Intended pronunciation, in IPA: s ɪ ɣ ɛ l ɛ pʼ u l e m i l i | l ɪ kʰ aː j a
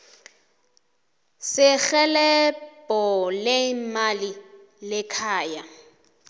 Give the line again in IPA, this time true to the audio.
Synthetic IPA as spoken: s ɪ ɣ ɛ l ɛ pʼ ɔ l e m a l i | l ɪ kʰ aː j a